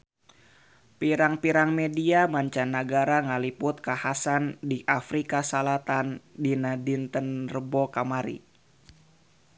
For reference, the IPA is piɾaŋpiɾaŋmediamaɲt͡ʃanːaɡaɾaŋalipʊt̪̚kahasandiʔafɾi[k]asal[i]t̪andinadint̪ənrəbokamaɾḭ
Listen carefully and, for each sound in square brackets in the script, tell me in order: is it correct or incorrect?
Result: correct, incorrect: a

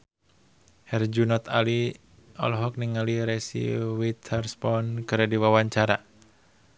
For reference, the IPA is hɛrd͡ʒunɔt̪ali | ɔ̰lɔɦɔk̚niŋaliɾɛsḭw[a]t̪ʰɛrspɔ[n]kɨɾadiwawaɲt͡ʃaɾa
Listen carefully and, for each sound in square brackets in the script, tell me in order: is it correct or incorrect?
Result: incorrect: i, correct

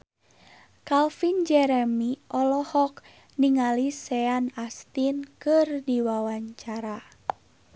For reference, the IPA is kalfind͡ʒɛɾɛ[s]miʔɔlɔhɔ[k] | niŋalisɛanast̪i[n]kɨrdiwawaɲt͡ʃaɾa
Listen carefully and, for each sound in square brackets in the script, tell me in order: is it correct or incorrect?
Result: incorrect: none, correct, correct

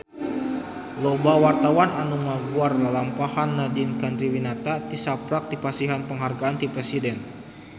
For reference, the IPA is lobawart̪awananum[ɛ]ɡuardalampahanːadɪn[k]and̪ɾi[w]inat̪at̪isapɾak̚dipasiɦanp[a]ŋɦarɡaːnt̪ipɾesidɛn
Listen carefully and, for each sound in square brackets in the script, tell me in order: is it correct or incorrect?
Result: incorrect: a, correct, correct, incorrect: ə

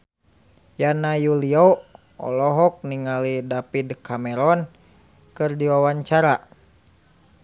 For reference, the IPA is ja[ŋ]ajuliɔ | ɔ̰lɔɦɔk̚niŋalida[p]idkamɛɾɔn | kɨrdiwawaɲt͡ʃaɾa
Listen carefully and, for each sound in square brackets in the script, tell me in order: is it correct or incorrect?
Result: incorrect: n, correct

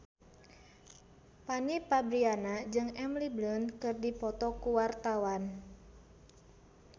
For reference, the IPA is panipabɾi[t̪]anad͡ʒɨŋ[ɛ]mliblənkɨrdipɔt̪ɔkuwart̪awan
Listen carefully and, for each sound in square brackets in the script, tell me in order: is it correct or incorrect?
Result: incorrect: none, correct

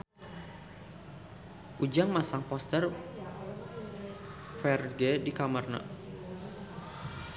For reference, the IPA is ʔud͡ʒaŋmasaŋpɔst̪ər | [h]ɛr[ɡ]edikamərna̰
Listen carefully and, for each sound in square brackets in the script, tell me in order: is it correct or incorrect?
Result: incorrect: f, correct

